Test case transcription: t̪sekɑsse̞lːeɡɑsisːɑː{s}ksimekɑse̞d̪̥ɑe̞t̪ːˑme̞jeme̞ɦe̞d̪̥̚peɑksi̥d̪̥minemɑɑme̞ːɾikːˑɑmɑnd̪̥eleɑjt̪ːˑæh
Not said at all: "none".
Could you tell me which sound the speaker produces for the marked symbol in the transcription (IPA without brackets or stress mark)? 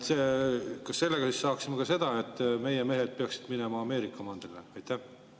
none